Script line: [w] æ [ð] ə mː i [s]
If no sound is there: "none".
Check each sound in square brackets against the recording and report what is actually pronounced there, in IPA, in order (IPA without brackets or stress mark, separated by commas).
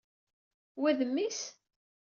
w, ð, s